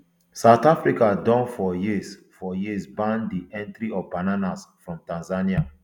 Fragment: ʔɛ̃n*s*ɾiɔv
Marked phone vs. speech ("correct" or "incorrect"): incorrect